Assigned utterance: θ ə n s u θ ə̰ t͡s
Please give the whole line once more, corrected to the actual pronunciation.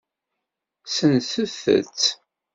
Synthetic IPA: s ə n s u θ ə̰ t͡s

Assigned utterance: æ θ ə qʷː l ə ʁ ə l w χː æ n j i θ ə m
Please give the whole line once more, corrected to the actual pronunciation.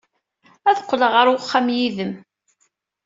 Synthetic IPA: æ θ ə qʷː l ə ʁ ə ɾ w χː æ m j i ð ə m

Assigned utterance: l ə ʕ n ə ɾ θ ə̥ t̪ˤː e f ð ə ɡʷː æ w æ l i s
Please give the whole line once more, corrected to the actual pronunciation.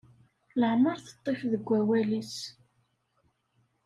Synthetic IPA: l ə ʕ m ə ɾ θ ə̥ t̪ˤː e f ð ə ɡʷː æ w æ l i s

